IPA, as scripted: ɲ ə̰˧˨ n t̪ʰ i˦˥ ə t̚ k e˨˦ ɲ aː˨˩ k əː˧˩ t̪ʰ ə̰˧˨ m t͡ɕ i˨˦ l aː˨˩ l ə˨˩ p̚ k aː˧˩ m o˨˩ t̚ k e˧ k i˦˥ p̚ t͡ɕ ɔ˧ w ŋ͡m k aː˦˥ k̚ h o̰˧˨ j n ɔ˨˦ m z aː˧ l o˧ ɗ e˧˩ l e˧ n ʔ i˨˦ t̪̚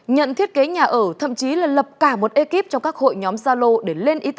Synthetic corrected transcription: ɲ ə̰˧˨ n t̪ʰ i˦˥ ə t̚ k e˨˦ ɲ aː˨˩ ʔ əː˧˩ t̪ʰ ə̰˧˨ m t͡ɕ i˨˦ l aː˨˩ l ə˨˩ p̚ k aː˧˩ m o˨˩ t̚ ʔ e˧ k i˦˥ p̚ t͡ɕ ɔ˧ w ŋ͡m k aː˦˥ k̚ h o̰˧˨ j ɲ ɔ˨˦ m z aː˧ l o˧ ɗ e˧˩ l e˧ n ʔ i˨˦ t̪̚